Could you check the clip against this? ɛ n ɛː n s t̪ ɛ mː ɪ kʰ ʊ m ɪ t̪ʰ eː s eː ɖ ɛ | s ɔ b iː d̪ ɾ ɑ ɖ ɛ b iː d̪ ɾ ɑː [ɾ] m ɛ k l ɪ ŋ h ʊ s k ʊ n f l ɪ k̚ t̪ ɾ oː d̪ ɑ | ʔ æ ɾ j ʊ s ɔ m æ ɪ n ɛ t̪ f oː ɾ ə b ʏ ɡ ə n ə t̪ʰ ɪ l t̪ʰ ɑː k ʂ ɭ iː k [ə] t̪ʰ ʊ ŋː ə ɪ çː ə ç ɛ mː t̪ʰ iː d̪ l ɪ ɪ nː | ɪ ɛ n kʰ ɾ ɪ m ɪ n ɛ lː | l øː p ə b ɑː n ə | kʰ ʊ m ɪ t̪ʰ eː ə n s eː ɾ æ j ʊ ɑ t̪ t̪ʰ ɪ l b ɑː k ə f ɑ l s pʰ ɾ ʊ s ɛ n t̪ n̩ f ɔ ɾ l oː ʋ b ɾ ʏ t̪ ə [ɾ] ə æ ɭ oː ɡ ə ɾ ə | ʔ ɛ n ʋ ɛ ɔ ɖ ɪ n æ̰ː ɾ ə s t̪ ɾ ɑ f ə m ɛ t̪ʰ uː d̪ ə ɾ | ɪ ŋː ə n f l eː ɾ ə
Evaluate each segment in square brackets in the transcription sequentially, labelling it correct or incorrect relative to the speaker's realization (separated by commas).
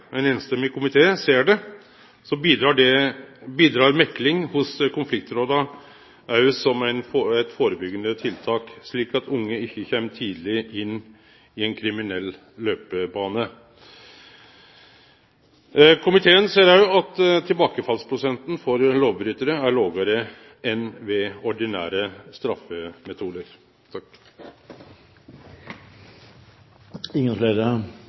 correct, incorrect, correct